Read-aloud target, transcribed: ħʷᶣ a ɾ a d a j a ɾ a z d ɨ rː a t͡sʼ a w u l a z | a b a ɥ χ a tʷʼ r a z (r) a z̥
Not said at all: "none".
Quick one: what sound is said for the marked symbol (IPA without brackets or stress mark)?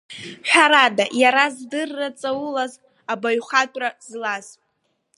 l